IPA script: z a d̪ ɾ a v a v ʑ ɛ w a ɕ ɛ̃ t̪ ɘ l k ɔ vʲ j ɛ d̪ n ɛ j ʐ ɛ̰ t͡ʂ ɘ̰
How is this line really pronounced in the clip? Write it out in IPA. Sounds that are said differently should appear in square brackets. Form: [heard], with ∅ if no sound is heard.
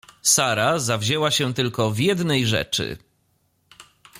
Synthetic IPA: [s] a [∅] ɾ a [z] a v ʑ ɛ w a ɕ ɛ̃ t̪ ɘ l k ɔ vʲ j ɛ d̪ n ɛ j ʐ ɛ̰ t͡ʂ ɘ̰

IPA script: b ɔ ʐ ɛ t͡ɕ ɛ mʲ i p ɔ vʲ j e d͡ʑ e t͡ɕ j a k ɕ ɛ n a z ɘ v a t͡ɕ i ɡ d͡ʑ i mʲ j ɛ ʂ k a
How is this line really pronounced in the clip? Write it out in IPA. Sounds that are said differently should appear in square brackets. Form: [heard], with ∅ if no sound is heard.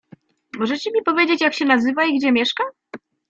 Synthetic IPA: [m] ɔ ʐ ɛ t͡ɕ ɛ mʲ i p ɔ vʲ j e d͡ʑ e t͡ɕ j a k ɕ ɛ n a z ɘ v a [∅] i ɡ d͡ʑ [ɛ] mʲ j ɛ ʂ k a

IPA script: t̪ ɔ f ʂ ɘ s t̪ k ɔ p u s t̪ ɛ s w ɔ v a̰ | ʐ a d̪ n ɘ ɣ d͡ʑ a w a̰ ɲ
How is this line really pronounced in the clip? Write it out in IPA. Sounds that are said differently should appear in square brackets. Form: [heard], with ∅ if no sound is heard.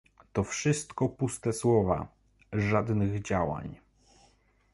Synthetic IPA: t̪ ɔ f ʂ ɘ s t̪ k ɔ p u s t̪ ɛ s w ɔ v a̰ | ʐ a d̪ n ɘ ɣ d͡ʑ a w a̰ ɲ

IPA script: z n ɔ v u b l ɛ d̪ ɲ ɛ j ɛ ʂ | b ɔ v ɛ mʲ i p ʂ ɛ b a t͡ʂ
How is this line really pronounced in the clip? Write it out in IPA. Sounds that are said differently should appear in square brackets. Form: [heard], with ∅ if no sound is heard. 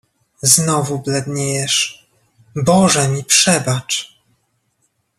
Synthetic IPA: z n ɔ v u b l ɛ d̪ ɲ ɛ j ɛ ʂ | b ɔ [ʐ] ɛ mʲ i p ʂ ɛ b a t͡ʂ

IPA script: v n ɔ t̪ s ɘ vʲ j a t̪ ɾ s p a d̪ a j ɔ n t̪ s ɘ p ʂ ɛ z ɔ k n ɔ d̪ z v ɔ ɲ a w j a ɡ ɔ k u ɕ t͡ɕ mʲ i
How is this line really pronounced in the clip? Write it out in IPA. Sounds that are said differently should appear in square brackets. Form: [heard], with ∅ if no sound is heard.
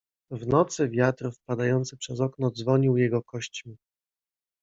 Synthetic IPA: v n ɔ t̪ s ɘ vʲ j a t̪ ɾ [f] p a d̪ a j ɔ n t̪ s ɘ p ʂ ɛ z ɔ k n ɔ d̪ z v ɔ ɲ [i] w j [ɛ] ɡ ɔ k [ɔ] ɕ t͡ɕ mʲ i

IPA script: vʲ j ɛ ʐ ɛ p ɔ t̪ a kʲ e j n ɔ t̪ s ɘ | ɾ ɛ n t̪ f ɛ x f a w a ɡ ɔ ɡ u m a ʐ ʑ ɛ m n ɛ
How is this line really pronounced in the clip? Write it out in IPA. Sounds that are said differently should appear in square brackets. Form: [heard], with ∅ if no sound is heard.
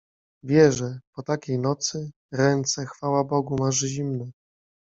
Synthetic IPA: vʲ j ɛ ʐ ɛ p ɔ t̪ a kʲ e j n ɔ t̪ s ɘ | ɾ ɛ n t̪ [s] ɛ x f a w a [b] ɔ ɡ u m a ʐ ʑ [i] m n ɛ

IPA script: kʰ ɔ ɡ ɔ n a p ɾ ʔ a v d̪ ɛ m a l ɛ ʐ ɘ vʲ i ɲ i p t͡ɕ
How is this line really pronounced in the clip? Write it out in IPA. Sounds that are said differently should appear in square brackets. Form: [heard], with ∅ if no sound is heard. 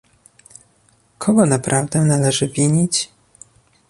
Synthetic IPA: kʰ ɔ ɡ ɔ n a p ɾ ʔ a v d̪ ɛ [n] a l ɛ ʐ ɘ vʲ i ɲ i [∅] t͡ɕ

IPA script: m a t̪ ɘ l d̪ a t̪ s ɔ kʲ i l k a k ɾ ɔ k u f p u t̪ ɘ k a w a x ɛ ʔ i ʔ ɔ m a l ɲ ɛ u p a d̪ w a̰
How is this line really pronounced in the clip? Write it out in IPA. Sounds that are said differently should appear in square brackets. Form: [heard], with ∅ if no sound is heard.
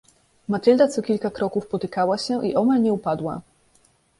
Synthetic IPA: m a t̪ ɘ l d̪ a t̪ s ɔ kʲ i l k a k ɾ ɔ k u f p [ɔ] t̪ ɘ k a w a [ɕ] ɛ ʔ i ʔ ɔ m a l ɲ ɛ u p a d̪ w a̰

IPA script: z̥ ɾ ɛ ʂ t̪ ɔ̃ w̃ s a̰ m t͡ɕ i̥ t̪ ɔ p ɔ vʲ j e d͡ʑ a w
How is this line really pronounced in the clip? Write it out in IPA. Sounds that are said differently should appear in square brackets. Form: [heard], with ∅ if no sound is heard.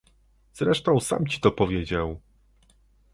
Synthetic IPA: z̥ ɾ ɛ ʂ t̪ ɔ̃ w̃ s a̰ m t͡ɕ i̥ t̪ ɔ p ɔ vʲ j e d͡ʑ a w

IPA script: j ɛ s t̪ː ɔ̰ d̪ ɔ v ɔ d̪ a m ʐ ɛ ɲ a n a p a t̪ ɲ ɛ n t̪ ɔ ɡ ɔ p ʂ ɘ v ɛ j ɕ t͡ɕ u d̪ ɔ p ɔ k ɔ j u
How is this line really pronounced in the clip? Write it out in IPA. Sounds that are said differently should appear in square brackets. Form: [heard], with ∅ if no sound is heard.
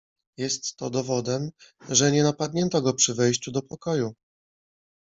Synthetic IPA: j ɛ s t̪ː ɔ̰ d̪ ɔ v ɔ d̪ [ɛ] m ʐ ɛ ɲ [ɛ] n a p a [d̪] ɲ ɛ n t̪ ɔ ɡ ɔ p ʂ ɘ v ɛ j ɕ t͡ɕ u d̪ ɔ p ɔ k ɔ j u

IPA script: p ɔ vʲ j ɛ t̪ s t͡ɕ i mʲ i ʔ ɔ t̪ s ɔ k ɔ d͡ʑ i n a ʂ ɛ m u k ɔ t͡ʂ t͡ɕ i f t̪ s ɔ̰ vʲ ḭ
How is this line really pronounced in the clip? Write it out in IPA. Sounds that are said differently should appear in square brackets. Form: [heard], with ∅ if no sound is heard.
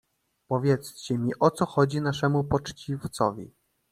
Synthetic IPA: p ɔ vʲ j ɛ t̪ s t͡ɕ [ɛ] mʲ i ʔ ɔ t̪ s ɔ [x] ɔ d͡ʑ i n a ʂ ɛ m u [p] ɔ t͡ʂ t͡ɕ i f t̪ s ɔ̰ vʲ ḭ

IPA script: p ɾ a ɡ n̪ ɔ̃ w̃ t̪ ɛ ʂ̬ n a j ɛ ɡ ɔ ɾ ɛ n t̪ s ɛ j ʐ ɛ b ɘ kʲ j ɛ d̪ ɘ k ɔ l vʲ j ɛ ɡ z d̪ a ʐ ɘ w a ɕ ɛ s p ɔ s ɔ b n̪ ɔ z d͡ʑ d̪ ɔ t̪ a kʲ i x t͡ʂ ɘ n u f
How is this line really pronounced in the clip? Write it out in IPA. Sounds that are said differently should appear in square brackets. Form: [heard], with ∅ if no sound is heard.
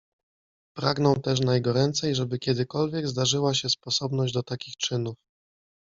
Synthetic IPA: p ɾ a ɡ n̪ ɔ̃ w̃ t̪ ɛ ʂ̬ n a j ɛ ɡ ɔ ɾ ɛ n t̪ s ɛ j ʐ ɛ b ɘ kʲ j ɛ d̪ ɘ k ɔ l vʲ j ɛ ɡ z d̪ a ʐ ɘ w a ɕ ɛ s p ɔ s ɔ b n̪ ɔ [ʑ] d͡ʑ d̪ ɔ t̪ a kʲ i x t͡ʂ ɘ n u f

